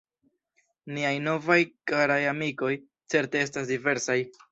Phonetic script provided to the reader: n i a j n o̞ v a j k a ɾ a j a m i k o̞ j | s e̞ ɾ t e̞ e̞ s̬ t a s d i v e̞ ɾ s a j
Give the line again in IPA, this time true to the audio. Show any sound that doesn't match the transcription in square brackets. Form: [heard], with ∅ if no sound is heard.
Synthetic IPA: n i a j n o̞ v a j k a ɾ a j a m i k o̞ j | [t͡s] e̞ ɾ t e̞ e̞ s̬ t a s d i v e̞ ɾ s a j